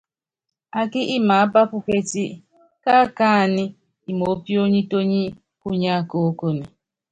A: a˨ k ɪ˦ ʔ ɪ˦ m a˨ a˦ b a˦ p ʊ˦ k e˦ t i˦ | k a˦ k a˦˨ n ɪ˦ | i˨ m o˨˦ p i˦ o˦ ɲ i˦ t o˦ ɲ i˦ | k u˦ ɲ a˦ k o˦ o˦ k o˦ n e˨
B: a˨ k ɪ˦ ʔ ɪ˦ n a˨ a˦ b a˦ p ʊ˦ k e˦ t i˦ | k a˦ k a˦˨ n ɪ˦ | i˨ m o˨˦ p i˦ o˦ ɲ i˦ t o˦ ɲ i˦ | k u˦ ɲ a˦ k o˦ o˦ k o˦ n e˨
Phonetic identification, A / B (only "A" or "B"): A